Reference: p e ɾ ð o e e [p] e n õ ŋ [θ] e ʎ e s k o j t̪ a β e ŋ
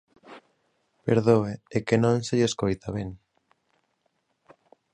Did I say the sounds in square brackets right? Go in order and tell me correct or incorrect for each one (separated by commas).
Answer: incorrect, incorrect